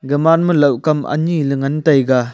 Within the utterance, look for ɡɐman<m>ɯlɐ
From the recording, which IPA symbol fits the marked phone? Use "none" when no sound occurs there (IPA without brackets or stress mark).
m